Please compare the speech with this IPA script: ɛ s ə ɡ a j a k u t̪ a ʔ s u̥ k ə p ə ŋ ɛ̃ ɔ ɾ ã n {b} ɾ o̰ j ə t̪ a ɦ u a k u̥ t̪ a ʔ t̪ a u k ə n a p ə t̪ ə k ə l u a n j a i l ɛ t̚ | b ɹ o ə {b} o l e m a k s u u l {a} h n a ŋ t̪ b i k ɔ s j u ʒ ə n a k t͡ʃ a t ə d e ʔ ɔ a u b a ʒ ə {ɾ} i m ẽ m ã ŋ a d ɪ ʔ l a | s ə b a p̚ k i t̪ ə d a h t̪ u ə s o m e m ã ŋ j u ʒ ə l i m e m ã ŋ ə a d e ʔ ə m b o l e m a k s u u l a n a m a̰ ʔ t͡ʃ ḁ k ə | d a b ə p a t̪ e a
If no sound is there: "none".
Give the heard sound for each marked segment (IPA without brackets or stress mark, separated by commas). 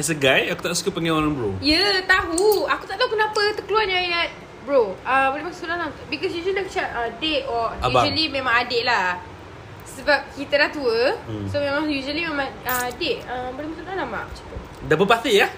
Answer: b, b, a, l